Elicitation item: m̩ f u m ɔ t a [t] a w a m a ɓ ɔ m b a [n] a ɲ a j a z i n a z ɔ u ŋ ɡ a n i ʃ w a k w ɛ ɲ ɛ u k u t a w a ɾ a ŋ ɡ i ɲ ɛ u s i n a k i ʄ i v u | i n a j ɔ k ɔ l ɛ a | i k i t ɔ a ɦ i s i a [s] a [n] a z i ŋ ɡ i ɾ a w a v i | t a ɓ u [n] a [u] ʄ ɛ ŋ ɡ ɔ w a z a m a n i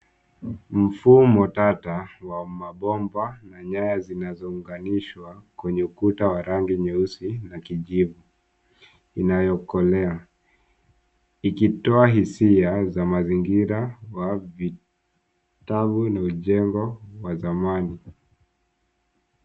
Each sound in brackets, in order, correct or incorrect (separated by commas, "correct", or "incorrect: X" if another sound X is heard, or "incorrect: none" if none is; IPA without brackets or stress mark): correct, correct, incorrect: z, incorrect: m, correct, correct